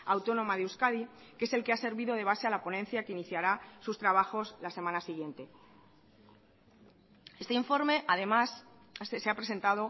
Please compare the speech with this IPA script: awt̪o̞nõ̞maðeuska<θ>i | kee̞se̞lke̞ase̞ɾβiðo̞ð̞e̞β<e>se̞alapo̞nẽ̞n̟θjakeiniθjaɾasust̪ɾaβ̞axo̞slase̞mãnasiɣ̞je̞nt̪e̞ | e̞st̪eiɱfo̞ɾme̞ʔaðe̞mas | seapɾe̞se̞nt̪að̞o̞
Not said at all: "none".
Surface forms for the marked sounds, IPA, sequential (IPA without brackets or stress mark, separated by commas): ð, a